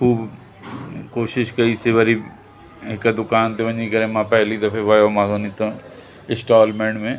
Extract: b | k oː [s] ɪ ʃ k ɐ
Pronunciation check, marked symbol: incorrect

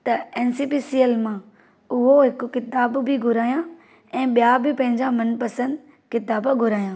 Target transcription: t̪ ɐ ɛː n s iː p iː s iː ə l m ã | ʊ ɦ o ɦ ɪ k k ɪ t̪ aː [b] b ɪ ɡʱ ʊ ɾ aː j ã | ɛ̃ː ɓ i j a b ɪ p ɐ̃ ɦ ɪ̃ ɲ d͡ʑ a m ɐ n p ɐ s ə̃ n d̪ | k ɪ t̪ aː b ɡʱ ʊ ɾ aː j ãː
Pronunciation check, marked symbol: correct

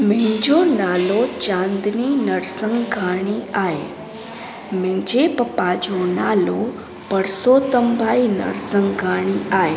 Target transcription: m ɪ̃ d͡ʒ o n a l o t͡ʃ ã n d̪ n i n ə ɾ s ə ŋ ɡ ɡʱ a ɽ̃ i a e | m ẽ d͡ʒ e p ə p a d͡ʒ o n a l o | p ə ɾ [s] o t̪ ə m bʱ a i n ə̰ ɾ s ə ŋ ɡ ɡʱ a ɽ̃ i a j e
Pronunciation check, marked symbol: correct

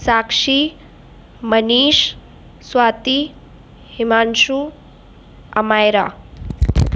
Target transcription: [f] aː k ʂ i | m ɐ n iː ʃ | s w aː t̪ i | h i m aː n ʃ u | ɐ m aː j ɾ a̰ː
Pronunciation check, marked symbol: incorrect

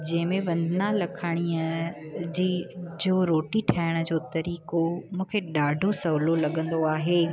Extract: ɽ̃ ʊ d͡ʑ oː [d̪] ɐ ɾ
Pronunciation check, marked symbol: incorrect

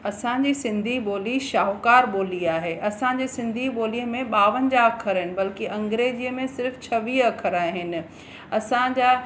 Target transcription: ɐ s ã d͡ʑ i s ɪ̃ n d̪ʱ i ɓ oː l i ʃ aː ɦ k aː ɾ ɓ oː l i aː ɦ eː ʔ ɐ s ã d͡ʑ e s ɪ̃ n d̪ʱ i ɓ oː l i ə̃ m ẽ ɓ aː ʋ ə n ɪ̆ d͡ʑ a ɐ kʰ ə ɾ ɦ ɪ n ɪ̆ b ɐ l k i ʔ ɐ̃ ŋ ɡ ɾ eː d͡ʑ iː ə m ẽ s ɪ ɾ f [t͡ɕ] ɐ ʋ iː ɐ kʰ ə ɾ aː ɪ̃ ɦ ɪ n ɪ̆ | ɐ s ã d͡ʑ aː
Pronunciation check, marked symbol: incorrect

